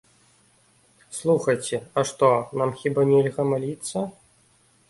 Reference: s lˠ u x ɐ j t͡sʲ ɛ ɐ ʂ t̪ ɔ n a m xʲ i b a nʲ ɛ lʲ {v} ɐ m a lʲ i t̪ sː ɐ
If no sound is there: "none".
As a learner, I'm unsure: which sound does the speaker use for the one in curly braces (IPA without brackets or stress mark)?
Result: ɣ